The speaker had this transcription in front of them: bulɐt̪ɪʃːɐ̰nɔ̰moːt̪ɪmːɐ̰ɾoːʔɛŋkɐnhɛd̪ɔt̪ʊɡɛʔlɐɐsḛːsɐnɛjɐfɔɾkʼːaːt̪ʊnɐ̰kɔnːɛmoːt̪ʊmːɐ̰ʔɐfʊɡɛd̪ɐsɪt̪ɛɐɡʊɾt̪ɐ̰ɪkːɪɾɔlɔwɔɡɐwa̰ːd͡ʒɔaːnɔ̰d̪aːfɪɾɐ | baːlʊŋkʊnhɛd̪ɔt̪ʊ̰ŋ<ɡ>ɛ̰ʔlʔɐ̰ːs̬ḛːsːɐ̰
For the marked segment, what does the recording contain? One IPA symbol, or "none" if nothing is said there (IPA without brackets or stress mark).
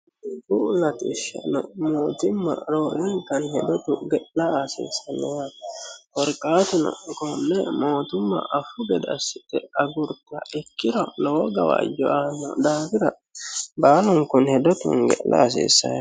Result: ɡ